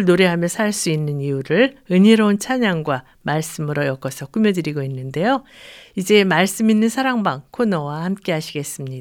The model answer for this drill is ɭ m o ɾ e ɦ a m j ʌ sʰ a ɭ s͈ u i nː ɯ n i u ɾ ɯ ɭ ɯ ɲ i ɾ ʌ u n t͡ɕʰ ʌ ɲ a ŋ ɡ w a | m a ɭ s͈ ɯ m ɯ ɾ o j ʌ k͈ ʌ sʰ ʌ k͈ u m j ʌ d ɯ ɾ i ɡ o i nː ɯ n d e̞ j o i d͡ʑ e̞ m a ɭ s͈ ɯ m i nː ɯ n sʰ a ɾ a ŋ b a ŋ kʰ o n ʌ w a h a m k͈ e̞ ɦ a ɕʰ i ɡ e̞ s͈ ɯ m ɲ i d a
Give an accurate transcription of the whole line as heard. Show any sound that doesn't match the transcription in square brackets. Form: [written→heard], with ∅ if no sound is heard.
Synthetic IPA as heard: ɭ [m→n] o ɾ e ɦ a m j ʌ sʰ a ɭ s͈ u i nː ɯ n i u ɾ ɯ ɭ ɯ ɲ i ɾ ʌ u n t͡ɕʰ [ʌ→a] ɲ a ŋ ɡ w a | m a ɭ s͈ ɯ m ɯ ɾ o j ʌ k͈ ʌ sʰ ʌ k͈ u m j ʌ d ɯ ɾ i ɡ o i nː ɯ n d e̞ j o i d͡ʑ e̞ m a ɭ s͈ ɯ m i nː ɯ n sʰ a ɾ a ŋ b a ŋ kʰ o n ʌ w a h a m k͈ e̞ ɦ a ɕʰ i ɡ e̞ s͈ ɯ m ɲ i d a